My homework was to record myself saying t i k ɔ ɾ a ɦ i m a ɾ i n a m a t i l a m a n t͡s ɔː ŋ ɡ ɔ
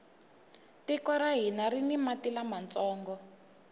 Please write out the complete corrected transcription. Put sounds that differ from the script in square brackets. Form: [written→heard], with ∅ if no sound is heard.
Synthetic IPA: t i k ɔ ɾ a ɦ i [m→n] a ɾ i n [a→i] m a t i l a m a n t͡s ɔː ŋ ɡ ɔ